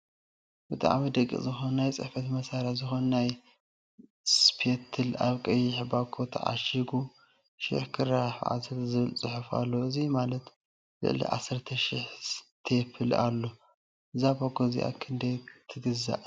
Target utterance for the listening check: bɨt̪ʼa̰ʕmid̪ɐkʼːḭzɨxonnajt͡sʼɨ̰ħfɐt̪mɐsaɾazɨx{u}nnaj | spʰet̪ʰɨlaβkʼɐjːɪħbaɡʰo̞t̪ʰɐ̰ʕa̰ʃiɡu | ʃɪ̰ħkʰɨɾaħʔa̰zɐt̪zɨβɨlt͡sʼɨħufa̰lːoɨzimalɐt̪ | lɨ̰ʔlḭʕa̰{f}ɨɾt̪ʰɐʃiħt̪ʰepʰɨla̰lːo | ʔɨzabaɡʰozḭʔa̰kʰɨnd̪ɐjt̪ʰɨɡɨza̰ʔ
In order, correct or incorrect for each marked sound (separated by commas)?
incorrect, incorrect